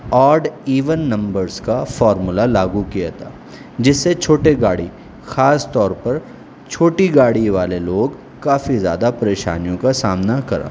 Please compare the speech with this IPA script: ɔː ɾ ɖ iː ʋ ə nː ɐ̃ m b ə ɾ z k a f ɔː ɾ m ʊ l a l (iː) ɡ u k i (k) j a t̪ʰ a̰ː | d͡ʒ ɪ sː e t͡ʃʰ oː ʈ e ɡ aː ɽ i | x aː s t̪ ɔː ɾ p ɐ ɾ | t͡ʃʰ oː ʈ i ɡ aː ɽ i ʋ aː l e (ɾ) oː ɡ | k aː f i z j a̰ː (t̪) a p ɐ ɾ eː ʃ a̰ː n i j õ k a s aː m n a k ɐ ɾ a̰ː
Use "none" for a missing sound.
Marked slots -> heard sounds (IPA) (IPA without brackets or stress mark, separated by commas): aː, none, l, d̪